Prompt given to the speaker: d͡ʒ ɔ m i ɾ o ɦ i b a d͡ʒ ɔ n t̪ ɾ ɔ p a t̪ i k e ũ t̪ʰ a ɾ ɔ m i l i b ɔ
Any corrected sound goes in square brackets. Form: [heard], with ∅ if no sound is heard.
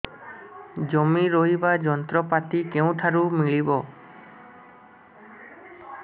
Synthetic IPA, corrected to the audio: d͡ʒ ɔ m i ɾ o ɦ i b a d͡ʒ ɔ n t̪ ɾ ɔ p a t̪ i k e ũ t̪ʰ a ɾ [u] m i [ɭ] i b ɔ